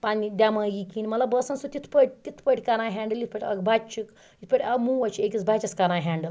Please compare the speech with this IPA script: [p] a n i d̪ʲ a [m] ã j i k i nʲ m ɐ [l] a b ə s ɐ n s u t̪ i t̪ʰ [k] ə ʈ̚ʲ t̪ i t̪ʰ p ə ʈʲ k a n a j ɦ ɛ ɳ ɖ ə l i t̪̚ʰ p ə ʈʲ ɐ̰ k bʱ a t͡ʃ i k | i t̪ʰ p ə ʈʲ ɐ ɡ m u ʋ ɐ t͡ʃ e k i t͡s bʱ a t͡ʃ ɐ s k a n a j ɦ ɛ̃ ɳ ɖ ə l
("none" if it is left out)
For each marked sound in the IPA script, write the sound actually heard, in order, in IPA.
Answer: p, m, l, p

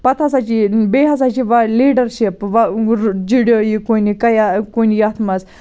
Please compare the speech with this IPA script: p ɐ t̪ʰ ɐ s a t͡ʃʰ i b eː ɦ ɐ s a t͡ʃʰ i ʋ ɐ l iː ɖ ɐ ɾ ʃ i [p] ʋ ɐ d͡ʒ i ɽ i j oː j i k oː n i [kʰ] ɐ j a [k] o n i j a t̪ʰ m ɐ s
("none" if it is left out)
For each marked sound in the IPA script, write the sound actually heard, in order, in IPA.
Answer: p, k, k

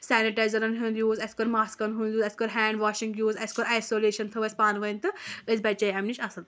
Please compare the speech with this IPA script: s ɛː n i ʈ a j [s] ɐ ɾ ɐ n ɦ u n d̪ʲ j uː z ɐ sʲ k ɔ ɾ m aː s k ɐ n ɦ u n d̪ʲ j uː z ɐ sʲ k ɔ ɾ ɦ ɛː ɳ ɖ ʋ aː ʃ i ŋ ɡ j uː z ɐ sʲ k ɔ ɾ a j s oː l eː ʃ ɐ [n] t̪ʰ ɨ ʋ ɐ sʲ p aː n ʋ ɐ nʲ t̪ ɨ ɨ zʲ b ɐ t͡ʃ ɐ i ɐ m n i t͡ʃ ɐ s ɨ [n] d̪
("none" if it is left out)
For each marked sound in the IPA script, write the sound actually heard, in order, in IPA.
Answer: z, n, n

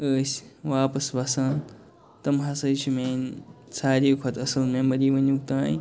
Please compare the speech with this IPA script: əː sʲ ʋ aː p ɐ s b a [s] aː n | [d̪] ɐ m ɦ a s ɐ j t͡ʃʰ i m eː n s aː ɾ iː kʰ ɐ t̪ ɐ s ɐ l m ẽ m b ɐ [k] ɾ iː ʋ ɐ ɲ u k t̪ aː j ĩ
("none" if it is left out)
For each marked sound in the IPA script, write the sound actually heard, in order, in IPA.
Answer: s, t̪, none

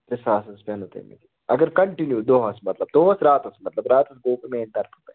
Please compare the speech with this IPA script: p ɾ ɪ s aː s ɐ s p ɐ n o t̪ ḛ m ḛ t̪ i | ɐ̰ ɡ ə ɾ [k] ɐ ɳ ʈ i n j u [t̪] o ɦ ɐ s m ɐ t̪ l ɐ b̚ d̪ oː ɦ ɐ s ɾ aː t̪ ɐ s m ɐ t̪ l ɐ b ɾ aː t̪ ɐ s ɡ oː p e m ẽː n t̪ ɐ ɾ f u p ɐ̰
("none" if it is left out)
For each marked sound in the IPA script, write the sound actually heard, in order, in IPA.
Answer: k, d̪

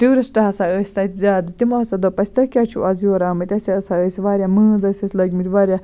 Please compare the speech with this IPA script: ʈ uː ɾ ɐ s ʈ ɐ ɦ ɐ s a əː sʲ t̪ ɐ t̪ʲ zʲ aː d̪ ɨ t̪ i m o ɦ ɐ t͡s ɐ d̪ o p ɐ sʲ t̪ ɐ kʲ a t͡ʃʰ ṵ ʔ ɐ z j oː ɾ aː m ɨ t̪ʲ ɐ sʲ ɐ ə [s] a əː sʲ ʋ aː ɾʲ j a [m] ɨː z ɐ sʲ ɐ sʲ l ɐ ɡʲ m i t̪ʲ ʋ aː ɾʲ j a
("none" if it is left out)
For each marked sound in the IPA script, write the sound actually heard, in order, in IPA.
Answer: s, m

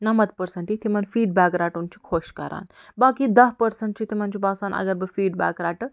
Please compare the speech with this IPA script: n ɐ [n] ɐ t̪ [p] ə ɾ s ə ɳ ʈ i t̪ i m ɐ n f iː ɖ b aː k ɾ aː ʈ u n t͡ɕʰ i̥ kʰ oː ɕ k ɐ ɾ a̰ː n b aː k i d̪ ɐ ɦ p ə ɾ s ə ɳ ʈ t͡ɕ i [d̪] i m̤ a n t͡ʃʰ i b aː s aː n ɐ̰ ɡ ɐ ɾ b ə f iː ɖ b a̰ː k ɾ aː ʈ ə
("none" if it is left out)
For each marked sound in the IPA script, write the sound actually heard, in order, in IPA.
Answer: m, p, t̪

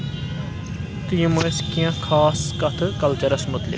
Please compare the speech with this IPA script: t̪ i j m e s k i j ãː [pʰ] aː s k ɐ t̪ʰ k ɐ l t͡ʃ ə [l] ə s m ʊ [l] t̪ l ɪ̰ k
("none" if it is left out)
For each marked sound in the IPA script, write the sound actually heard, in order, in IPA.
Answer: kʰ, ɾ, none

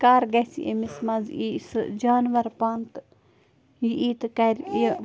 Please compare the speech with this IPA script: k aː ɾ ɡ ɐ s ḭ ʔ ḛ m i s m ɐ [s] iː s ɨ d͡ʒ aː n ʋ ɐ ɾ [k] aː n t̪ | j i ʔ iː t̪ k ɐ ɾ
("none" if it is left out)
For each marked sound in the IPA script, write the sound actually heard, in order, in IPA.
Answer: z, p

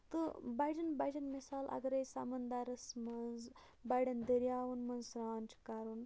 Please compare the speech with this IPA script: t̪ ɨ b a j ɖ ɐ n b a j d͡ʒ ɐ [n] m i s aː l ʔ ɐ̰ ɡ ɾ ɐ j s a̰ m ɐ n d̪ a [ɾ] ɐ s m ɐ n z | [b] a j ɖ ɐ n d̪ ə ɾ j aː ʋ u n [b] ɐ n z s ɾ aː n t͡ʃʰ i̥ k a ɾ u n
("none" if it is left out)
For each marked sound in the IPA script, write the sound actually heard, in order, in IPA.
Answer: n, ɾ, b, m

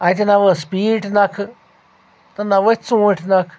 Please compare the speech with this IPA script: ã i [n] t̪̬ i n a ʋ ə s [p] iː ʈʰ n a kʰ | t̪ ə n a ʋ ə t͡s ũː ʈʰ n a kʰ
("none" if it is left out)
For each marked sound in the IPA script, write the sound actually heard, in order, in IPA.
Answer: none, p

